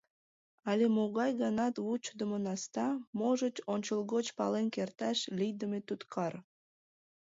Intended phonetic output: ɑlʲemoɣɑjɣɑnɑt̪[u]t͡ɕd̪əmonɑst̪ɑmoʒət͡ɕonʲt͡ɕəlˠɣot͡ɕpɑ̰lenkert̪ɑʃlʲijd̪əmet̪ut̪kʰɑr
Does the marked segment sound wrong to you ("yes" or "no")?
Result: no